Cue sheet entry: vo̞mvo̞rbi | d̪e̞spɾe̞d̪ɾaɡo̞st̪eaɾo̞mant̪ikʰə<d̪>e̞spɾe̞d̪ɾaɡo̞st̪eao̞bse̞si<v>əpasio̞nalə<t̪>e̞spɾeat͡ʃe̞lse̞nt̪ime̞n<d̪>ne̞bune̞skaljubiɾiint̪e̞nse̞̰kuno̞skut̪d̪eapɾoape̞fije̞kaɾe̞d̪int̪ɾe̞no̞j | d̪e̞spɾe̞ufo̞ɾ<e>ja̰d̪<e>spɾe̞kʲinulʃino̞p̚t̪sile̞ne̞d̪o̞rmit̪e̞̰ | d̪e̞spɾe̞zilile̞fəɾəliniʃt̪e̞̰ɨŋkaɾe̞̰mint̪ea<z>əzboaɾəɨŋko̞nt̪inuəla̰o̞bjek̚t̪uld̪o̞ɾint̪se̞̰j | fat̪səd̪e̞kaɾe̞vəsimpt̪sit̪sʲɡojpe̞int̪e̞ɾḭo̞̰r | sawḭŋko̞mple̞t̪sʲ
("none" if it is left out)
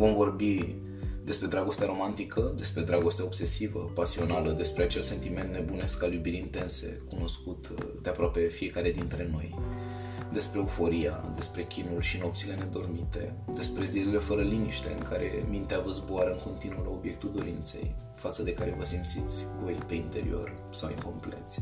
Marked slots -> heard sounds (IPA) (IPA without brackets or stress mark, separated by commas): d̪, v, d̪, t̪, i, e, v